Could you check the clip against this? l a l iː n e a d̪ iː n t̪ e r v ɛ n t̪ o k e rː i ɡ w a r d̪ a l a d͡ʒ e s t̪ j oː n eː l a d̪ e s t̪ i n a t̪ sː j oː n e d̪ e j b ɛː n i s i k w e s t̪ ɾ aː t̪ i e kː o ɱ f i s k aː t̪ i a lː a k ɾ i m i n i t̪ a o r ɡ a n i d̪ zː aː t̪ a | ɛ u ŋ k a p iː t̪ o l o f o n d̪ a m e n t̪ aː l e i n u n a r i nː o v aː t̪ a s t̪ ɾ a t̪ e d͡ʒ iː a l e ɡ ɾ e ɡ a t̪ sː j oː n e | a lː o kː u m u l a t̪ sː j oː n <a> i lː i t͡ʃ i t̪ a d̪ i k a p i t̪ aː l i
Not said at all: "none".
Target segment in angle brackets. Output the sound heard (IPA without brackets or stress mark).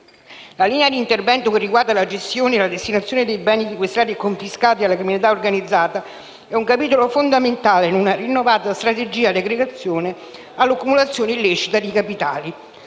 e